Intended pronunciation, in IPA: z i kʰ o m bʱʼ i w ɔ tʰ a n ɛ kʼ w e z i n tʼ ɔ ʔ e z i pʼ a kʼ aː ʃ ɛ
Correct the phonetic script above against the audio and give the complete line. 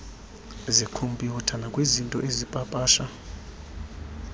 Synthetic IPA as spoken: z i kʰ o m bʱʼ i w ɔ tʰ a n a kʼ w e z i n tʼ ɔ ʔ e z i pʼ a pʼ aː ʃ a